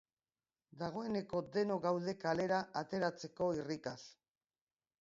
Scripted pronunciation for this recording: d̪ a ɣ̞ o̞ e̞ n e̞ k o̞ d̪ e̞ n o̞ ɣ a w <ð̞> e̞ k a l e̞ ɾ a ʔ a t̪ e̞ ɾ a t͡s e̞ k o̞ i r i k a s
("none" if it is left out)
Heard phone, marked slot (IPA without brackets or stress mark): ð̞